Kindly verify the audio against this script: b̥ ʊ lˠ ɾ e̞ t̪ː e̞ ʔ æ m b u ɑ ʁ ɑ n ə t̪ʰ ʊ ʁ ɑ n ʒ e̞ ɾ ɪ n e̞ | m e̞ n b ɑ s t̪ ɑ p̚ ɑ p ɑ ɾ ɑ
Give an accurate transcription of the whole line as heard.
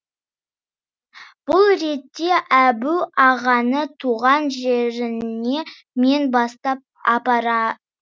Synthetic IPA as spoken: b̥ ʊ lˠ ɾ e̞ t̪ː e̞ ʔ æ b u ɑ ʁ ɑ n ə t̪ʰ u ʁ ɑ n ʒ e̞ ɾ ɪ n e̞ | m e̞ n b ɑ s t̪ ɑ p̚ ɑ p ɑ ɾ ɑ